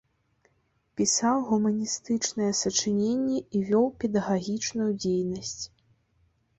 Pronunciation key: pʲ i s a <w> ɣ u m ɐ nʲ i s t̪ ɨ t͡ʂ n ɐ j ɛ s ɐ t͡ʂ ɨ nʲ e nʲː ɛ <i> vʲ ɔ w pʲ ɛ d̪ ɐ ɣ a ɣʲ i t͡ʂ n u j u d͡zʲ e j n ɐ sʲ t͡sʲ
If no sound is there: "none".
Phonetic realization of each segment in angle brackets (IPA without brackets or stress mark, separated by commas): w, i